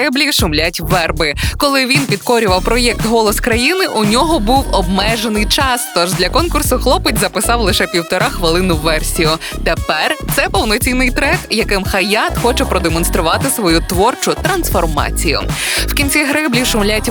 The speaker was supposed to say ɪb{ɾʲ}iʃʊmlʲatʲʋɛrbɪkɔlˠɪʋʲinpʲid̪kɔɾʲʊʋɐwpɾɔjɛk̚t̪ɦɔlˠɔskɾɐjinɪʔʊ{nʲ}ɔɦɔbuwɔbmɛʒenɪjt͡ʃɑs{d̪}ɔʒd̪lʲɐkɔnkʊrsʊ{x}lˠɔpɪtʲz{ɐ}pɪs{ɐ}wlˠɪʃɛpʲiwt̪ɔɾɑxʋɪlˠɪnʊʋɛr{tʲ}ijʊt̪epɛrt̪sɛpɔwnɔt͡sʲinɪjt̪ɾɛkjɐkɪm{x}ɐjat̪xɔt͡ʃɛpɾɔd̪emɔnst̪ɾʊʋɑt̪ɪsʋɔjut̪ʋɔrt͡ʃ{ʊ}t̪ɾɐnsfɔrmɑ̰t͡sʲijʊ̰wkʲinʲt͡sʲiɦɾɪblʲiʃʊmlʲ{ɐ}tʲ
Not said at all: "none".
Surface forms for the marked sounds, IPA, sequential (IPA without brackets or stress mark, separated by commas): lʲ, nʲ, t̪, x, ɐ, ɑ, sʲ, x, ʊ, a